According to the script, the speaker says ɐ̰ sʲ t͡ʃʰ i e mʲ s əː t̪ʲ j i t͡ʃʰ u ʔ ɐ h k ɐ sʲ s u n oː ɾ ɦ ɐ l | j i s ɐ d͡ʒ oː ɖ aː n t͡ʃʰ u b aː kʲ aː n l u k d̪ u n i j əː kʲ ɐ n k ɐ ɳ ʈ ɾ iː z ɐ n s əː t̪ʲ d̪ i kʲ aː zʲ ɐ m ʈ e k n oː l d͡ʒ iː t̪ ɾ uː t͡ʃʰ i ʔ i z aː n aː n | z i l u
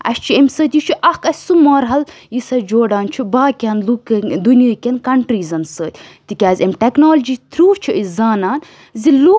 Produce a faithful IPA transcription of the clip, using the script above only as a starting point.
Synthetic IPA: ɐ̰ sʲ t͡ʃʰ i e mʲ s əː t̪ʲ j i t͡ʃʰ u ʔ ɐ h k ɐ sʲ s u m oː ɾ ɦ ɐ l | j i s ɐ d͡ʒ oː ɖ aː n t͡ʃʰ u b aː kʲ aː n l u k d̪ u n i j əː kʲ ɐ n k ɐ ɳ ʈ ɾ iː z ɐ n s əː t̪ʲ t̪ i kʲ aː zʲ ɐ m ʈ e k n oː l d͡ʒ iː t̪ ɾ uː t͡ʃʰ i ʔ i z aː n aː n | z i l u